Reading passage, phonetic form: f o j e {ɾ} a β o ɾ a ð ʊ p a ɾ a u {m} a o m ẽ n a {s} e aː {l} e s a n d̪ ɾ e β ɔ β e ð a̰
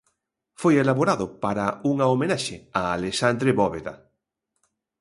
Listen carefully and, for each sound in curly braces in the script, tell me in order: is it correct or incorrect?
incorrect: l, incorrect: ŋ, incorrect: ʃ, correct

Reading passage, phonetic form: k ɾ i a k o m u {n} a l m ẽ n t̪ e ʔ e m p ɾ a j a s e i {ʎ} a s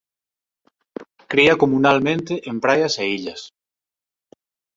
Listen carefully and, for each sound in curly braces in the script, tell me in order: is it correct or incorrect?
correct, correct

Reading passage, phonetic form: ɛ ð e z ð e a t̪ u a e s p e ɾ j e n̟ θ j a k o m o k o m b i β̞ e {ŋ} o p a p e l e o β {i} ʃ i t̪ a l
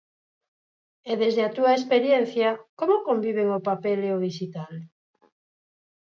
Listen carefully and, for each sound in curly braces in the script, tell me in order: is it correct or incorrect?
correct, correct

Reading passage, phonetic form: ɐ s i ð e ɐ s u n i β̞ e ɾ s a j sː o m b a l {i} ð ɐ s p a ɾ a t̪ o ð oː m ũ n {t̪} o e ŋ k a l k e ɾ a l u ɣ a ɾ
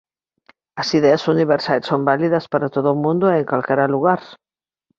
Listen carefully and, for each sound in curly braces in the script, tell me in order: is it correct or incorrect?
correct, incorrect: d̪

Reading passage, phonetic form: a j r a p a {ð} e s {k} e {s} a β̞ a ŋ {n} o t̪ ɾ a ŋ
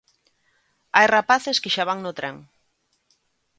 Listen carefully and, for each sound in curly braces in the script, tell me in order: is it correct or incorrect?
incorrect: θ, correct, incorrect: ʃ, correct

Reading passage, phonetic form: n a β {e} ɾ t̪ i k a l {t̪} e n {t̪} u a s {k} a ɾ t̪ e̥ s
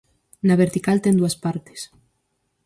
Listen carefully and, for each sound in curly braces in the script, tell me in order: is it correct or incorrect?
correct, correct, incorrect: d̪, incorrect: p

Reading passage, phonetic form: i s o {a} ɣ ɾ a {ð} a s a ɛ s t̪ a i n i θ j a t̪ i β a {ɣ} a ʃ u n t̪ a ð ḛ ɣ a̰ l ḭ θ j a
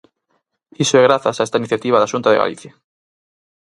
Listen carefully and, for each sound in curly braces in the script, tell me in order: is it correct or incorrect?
incorrect: ɛ, incorrect: θ, incorrect: ð

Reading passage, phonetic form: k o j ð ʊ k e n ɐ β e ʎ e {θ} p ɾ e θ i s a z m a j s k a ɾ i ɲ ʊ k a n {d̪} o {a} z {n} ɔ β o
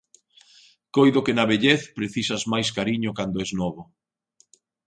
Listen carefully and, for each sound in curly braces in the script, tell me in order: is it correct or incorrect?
correct, correct, incorrect: ɛ, correct

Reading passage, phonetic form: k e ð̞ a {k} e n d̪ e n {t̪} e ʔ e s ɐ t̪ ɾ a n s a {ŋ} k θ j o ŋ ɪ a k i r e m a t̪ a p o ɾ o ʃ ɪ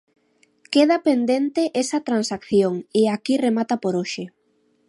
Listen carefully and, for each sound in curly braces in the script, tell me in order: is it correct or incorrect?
incorrect: p, correct, incorrect: none

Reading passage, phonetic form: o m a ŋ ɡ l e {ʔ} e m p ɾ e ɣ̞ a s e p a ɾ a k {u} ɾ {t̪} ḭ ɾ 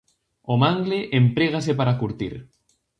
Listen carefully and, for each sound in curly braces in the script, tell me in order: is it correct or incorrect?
correct, correct, correct

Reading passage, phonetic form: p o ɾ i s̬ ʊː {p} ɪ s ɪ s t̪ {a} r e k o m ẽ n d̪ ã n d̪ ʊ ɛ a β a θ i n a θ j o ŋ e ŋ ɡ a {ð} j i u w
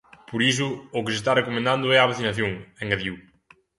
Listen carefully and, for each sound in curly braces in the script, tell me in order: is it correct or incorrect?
incorrect: k, correct, correct

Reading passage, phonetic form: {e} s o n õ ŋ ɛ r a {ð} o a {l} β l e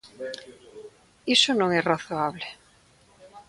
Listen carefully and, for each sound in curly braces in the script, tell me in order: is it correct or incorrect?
incorrect: i, incorrect: θ, incorrect: none

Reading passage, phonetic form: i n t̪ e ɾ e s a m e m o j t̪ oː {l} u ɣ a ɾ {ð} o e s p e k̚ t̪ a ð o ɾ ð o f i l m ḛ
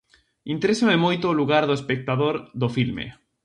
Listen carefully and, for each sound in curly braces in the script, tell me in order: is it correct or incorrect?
correct, correct

